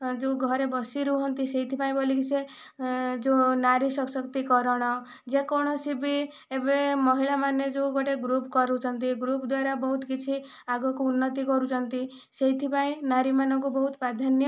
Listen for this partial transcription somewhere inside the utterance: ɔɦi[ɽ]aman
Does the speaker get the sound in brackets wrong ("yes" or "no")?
yes